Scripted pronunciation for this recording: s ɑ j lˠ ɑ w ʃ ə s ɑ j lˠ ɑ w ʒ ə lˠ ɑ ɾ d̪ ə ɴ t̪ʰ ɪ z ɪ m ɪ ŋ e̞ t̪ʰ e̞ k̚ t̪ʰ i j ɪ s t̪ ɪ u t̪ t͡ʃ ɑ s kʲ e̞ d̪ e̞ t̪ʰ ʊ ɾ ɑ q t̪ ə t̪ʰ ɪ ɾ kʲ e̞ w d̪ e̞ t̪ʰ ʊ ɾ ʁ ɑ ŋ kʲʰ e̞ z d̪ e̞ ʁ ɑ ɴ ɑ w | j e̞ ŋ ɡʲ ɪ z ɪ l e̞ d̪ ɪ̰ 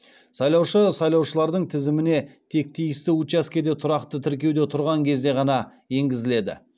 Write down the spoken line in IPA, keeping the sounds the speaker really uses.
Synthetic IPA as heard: s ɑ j lˠ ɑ w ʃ ə s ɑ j lˠ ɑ w ʃ ə lˠ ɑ ɾ d̪ ə ɴ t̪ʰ ɪ z ɪ m ɪ n e̞ t̪ʰ e̞ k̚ t̪ʰ i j ɪ s t̪ ɪ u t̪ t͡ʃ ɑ s kʲ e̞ d̪ e̞ t̪ʰ ʊ ɾ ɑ q t̪ ə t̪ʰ ɪ ɾ kʲ e̞ w d̪ e̞ t̪ʰ ʊ ɾ ʁ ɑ ŋ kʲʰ e̞ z d̪ e̞ ʁ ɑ n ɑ | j e̞ ŋ ɡʲ ɪ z ɪ l e̞ d̪ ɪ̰